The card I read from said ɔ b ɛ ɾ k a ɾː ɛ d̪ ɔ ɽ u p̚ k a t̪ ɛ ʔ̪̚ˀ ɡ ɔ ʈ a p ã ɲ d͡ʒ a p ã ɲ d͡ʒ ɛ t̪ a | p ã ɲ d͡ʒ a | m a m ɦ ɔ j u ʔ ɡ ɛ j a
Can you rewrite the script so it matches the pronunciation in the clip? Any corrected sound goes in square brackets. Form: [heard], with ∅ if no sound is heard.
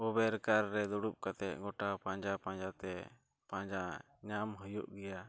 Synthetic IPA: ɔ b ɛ ɾ k a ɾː ɛ d̪ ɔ ɽ u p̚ k a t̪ ɛ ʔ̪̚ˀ ɡ ɔ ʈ a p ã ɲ d͡ʒ a p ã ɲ d͡ʒ [a] t̪ [ɛ] | p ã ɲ d͡ʒ a | [ɲ] a m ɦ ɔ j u ʔ ɡ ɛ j a